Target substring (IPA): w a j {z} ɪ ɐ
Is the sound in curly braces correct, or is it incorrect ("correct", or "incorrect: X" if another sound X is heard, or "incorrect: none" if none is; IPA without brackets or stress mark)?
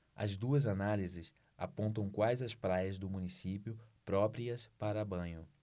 correct